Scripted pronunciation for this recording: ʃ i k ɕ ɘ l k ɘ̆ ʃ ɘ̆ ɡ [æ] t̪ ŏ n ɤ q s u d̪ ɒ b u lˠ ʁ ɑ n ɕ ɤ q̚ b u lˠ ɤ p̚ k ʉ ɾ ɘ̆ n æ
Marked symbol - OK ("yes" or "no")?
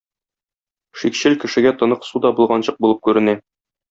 yes